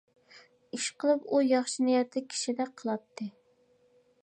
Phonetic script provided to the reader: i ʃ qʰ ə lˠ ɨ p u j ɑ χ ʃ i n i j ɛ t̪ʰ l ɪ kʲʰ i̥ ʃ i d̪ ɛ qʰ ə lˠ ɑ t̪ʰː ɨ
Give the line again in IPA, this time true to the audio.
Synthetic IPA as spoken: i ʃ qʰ ə lˠ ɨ p u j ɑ χ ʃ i n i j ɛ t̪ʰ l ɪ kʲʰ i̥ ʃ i d̪ ɛ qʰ ə lˠ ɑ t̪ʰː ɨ